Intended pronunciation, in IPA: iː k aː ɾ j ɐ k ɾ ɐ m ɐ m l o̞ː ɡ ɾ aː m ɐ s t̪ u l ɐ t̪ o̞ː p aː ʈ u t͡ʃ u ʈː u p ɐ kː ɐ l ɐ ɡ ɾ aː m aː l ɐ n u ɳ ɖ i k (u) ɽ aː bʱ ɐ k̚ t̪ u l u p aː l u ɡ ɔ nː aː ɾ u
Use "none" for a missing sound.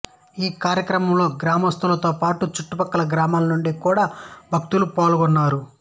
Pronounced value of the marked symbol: uː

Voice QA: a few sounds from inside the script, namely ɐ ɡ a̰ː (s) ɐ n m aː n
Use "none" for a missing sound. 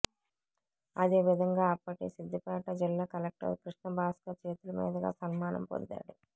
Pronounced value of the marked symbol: s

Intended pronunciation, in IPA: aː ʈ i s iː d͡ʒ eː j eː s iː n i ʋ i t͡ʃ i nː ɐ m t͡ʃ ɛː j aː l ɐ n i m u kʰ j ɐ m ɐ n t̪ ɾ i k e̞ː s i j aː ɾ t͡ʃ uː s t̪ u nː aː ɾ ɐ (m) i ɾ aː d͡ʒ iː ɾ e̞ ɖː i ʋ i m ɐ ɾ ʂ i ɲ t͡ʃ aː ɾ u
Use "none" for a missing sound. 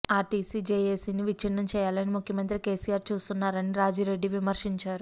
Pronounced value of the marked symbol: n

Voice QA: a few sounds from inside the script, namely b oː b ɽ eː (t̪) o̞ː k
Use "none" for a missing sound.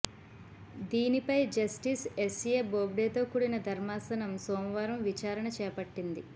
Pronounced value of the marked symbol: t̪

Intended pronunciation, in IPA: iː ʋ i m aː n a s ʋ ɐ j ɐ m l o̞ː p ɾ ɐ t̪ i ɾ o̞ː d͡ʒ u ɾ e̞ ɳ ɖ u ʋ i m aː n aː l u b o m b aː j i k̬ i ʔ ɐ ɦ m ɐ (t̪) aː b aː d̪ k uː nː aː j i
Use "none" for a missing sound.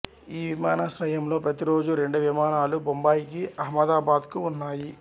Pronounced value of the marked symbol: d̪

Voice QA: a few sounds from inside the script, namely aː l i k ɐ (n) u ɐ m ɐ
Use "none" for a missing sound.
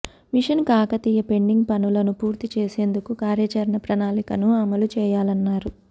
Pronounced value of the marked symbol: n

